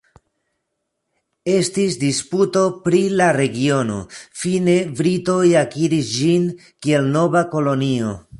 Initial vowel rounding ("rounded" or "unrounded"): unrounded